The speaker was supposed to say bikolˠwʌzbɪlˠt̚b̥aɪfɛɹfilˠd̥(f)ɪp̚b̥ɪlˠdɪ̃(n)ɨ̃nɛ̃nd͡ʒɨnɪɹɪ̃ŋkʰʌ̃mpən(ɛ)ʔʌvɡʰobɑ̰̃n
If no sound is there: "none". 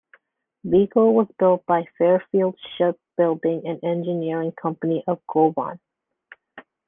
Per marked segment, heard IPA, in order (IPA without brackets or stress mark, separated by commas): ʃ, ŋ, i